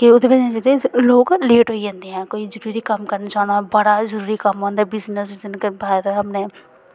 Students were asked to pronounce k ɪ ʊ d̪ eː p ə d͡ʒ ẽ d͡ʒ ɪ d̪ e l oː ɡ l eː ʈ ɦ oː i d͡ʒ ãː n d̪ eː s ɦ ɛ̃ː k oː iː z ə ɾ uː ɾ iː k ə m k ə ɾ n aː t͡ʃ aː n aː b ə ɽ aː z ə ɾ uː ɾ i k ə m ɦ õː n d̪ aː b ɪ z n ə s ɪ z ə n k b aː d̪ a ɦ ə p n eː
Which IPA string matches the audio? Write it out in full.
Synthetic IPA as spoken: k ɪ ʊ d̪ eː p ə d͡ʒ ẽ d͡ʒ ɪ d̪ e l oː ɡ l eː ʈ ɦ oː i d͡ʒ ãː n d̪ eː ɦ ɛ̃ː k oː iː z ə ɾ uː ɾ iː k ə m k ə ɾ n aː t͡ʃ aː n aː b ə ɽ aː z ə ɾ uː ɾ i k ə m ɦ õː n d̪ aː b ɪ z n ə s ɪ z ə n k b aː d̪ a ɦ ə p n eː